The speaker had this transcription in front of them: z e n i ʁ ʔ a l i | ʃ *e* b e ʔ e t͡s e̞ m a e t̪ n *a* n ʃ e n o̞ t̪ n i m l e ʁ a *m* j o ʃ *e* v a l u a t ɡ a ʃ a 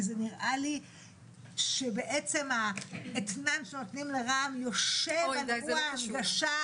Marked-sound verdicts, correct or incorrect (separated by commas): correct, correct, correct, correct